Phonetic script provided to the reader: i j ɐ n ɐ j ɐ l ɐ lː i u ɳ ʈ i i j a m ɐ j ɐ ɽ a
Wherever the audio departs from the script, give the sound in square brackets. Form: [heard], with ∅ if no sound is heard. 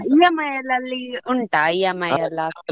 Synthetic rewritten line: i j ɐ [m] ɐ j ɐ l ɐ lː i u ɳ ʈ [a] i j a m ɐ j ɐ [l] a